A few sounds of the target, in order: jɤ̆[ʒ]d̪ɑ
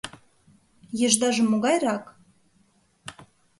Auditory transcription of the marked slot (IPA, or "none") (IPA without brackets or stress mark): ʒ